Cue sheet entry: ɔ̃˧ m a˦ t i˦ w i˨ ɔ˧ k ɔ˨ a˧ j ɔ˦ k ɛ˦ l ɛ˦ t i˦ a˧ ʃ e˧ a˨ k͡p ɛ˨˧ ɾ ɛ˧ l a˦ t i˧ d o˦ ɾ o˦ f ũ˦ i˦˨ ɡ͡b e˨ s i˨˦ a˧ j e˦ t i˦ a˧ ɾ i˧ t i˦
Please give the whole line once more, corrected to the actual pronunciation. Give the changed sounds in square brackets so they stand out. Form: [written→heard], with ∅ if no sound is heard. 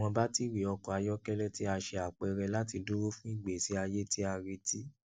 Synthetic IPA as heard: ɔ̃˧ [m→b] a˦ t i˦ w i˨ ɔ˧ k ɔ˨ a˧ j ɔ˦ k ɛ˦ l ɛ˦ t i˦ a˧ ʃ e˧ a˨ k͡p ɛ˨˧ ɾ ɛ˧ l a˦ t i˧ d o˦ ɾ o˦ f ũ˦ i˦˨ ɡ͡b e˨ s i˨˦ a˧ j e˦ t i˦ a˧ ɾ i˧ t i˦